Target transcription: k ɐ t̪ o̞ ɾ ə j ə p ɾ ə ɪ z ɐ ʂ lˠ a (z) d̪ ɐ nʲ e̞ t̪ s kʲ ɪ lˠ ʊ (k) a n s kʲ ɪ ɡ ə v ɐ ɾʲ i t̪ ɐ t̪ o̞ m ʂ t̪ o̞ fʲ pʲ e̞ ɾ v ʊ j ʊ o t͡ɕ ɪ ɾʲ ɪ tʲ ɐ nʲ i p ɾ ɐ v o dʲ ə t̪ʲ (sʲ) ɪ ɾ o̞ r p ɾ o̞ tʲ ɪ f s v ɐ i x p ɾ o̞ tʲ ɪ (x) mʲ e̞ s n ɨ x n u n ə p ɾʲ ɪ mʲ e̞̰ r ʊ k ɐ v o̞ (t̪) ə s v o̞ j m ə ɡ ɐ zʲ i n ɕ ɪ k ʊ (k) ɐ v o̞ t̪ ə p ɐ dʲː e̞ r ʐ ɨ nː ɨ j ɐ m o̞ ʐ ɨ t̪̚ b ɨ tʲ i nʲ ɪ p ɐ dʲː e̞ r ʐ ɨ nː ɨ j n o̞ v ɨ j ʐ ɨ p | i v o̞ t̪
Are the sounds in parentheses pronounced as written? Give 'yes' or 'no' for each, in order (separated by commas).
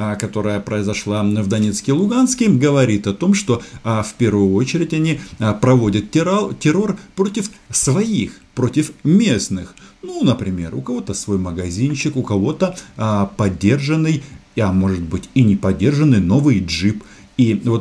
no, no, no, no, yes, yes